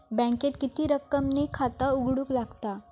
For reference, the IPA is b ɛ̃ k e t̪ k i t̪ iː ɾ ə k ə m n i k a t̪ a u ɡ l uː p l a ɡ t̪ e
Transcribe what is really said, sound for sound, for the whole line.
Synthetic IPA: b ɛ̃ k e t̪ k i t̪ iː ɾ ə k ə m n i kʰ a t̪ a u ɡ ɽ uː k l a ɡ t̪ a